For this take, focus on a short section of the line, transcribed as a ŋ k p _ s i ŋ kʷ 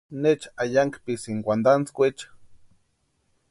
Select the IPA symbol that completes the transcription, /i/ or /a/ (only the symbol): i